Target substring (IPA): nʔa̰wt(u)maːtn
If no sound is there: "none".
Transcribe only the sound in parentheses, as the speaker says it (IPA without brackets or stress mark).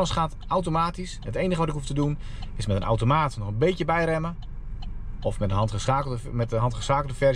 o